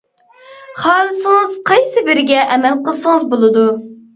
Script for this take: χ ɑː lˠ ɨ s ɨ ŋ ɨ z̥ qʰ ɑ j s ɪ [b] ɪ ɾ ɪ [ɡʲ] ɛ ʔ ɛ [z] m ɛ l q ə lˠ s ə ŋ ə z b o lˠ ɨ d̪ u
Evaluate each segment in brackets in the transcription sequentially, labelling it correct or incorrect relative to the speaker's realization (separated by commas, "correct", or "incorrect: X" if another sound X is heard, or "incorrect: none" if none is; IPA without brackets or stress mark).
correct, correct, incorrect: none